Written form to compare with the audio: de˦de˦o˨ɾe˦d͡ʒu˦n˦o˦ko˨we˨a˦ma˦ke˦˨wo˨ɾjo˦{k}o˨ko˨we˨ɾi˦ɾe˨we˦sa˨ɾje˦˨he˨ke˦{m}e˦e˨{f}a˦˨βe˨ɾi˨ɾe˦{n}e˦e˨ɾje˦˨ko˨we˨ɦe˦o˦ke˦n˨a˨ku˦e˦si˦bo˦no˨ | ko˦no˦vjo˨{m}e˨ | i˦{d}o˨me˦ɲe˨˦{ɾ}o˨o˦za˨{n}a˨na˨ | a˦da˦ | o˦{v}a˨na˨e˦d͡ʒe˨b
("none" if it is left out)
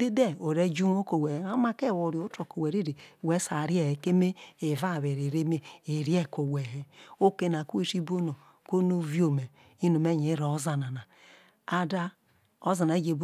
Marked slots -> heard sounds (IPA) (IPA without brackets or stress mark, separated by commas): t, m, v, m, m, n, ɾ, n, z